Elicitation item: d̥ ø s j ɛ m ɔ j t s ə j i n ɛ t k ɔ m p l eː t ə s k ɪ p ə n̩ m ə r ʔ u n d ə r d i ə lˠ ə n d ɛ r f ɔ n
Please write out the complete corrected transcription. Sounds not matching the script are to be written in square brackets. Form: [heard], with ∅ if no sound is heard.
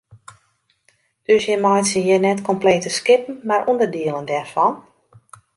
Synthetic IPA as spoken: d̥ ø s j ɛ m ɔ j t s ə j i n ɛ t k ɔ m p l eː t ə s k ɪ p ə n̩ m [a] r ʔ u n d ə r d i ə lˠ ə n d ɛ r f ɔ n